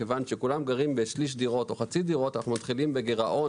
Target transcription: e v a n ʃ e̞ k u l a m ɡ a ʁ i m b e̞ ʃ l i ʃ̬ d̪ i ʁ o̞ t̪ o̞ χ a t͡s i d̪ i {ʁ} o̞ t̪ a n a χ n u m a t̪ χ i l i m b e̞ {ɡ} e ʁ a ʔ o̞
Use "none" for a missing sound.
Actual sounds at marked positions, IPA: ʁ, ɡ

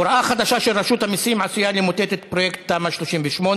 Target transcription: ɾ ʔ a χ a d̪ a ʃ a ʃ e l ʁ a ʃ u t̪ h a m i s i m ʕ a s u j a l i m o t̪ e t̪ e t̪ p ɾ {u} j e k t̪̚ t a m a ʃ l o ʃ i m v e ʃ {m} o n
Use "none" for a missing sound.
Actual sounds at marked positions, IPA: o, m

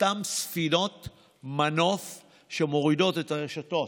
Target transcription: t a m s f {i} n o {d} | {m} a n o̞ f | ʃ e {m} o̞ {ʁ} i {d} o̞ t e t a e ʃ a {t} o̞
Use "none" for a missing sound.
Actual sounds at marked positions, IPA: i, t, m, m, ʁ, d, t

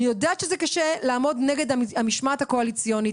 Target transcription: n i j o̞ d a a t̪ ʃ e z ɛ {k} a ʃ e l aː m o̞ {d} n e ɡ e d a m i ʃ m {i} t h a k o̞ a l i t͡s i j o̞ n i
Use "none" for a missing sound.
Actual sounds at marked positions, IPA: k, d, a

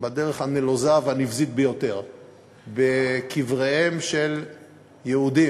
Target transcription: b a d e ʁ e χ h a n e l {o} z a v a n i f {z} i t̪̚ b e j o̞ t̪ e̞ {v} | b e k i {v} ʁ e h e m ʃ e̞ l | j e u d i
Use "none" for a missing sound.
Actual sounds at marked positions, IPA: o, z, ʁ, v

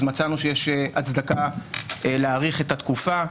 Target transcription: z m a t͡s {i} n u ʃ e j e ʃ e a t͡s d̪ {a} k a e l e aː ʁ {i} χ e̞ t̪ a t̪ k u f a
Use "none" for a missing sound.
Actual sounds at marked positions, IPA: a, a, i

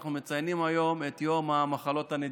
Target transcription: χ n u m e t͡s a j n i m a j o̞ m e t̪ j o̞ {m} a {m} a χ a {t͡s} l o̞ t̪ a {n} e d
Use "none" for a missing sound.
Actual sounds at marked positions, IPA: m, m, none, n

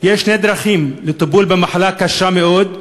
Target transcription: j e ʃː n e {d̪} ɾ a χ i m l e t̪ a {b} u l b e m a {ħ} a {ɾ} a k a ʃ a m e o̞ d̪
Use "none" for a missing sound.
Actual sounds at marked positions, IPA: d̪, b, ħ, l

